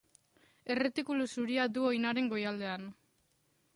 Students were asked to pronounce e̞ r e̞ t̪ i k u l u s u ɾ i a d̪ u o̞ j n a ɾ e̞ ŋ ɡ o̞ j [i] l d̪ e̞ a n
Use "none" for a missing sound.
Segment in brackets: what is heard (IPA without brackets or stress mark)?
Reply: a